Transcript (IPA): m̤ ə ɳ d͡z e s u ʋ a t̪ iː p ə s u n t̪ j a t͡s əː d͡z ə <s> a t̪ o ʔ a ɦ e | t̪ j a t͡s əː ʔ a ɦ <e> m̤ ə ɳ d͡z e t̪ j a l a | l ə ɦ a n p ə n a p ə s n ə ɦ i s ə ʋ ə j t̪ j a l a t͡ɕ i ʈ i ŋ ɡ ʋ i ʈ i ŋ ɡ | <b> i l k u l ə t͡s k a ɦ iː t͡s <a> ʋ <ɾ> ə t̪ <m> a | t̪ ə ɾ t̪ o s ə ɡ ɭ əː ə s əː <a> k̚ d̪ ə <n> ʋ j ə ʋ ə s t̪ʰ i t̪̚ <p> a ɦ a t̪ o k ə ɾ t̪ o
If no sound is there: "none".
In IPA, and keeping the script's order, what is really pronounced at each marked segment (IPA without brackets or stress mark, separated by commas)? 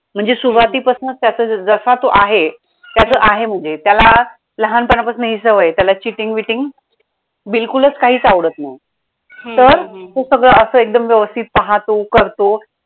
s, e, b, a, ɽ, n, e, m, p